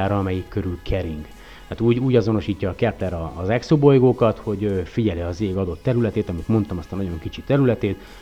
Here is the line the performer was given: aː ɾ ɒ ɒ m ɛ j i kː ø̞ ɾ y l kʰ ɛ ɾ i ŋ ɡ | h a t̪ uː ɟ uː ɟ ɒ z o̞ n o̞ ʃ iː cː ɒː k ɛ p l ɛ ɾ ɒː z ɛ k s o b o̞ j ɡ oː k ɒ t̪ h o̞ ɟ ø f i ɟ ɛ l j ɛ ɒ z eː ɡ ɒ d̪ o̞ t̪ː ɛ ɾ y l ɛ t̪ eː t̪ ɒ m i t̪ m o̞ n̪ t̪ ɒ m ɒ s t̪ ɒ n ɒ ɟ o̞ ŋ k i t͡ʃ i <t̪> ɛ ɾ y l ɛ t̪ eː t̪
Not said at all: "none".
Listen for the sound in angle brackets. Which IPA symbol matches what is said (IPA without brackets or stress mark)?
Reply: t̪